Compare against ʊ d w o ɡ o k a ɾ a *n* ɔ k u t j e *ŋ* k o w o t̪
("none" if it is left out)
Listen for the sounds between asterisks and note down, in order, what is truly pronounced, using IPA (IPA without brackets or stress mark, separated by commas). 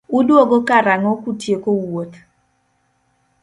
ŋ, none